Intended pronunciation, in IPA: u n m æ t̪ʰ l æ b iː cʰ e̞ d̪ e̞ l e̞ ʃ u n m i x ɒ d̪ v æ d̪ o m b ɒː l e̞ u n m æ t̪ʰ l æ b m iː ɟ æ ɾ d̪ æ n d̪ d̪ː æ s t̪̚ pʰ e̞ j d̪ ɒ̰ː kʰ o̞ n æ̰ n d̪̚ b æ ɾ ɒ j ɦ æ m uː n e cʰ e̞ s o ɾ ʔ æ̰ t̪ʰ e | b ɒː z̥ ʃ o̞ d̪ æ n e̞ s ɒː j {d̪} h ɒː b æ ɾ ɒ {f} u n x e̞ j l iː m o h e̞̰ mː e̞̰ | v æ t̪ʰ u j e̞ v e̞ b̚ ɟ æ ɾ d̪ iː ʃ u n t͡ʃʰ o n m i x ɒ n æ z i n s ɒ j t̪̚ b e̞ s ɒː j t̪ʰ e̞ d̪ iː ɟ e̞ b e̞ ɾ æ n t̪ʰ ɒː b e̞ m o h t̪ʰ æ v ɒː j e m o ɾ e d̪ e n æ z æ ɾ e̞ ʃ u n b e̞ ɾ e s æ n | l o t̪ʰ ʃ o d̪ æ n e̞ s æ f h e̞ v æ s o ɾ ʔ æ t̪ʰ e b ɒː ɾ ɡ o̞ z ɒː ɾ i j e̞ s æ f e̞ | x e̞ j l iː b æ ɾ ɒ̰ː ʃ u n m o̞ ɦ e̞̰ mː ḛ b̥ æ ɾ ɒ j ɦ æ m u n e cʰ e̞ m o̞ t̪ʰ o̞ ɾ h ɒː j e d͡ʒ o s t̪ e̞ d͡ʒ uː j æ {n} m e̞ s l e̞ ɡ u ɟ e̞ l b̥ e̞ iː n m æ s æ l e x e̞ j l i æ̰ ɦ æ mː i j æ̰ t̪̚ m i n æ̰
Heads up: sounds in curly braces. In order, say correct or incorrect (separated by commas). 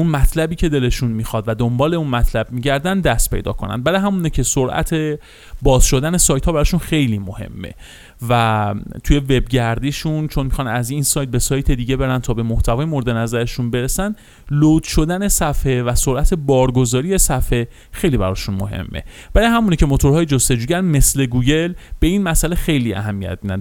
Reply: incorrect, incorrect, correct